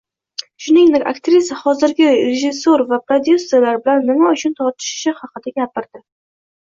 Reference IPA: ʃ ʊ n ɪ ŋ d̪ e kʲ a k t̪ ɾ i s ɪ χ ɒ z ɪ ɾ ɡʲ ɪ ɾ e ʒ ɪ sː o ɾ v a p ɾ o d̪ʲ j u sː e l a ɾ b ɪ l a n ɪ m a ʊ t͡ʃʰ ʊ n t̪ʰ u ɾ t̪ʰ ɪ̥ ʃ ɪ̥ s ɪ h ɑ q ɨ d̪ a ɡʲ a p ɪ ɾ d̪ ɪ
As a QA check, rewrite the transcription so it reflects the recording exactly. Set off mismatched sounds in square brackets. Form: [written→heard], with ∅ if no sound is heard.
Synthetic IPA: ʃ ʊ n ɪ ŋ d̪ e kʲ a k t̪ ɾ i s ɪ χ ɒ z ɪ ɾ ɡʲ ɪ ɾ e ʒ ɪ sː o ɾ v a p ɾ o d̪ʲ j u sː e l a ɾ b ɪ l a [n→nː] ɪ m a ʊ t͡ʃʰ ʊ n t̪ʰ [u→ɒ] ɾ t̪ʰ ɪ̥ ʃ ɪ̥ [s→ʃ] ɪ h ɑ q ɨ d̪ a ɡʲ a p ɪ ɾ d̪ ɪ